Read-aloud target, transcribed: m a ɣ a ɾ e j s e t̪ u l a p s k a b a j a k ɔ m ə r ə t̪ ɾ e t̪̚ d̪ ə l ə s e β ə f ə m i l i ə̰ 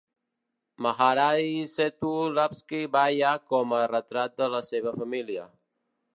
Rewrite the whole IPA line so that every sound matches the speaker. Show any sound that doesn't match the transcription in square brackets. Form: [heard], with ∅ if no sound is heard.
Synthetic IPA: m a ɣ a ɾ [a] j s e t̪ u l a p s k [i] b a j a k ɔ m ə r ə t̪ ɾ [a] t̪̚ d̪ ə l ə s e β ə f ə m i l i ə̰